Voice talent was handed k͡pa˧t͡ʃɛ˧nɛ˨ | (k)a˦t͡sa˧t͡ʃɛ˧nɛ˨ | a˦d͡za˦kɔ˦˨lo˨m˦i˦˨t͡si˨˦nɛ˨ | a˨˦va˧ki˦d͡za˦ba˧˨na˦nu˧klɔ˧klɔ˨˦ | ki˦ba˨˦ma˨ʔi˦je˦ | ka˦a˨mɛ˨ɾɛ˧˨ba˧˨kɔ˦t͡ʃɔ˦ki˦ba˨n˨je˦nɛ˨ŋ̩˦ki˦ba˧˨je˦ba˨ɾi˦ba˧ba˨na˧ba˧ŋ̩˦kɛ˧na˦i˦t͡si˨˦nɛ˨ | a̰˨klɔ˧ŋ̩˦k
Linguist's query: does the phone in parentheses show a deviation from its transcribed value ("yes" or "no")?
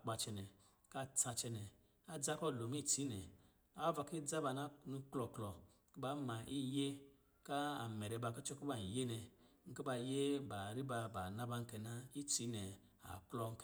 no